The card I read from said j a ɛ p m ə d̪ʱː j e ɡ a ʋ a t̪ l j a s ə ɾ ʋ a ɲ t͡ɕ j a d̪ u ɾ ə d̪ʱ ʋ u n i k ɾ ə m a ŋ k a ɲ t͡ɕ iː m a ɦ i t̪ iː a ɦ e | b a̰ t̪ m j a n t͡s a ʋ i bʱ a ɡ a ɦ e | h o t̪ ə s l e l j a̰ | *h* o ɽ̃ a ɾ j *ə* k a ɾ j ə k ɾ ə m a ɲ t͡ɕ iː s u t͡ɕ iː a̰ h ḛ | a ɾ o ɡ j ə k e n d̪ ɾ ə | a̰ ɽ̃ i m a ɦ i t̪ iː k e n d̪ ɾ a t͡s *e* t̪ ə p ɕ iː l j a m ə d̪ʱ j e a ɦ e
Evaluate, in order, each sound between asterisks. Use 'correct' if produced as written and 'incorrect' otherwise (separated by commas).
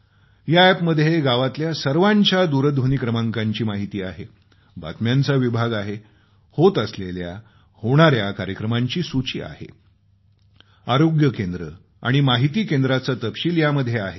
correct, incorrect, incorrect